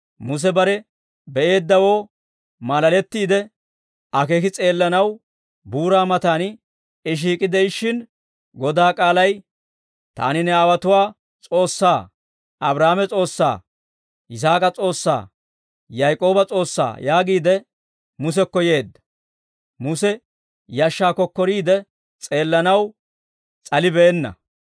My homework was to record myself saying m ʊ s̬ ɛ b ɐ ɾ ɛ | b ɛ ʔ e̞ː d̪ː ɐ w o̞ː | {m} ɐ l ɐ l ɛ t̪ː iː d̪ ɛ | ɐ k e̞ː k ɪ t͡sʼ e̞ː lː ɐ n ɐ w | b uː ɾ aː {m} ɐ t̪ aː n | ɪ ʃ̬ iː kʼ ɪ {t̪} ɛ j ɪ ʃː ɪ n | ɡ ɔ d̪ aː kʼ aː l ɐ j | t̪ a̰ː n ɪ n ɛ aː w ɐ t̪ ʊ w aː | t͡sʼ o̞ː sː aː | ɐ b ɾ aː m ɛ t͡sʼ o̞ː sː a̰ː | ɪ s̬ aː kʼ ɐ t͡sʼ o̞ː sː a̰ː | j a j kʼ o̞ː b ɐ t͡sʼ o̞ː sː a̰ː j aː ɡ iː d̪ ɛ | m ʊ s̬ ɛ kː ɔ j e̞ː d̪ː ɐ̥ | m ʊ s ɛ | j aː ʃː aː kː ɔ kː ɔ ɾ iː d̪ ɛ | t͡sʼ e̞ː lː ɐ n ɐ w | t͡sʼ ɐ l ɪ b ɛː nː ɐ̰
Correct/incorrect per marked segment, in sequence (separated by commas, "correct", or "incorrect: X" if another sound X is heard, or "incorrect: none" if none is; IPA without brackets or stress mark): correct, correct, incorrect: d̪